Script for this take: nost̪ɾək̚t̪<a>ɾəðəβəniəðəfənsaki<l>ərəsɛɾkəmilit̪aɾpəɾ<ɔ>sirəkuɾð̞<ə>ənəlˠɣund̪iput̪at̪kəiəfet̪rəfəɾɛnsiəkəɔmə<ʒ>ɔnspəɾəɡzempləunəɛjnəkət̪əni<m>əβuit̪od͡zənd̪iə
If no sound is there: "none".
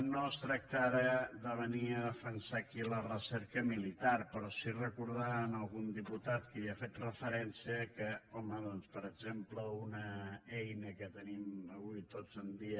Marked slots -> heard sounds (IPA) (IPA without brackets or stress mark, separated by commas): a, l, ɔ, a, ð, m